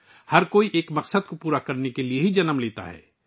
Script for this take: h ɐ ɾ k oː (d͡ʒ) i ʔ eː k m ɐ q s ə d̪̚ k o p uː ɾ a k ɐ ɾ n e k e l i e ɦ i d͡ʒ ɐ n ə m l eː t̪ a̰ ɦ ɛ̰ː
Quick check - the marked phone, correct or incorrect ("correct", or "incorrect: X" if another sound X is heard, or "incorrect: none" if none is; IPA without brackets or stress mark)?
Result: incorrect: none